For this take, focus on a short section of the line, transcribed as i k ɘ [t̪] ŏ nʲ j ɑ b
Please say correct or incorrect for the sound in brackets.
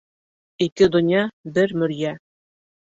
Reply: incorrect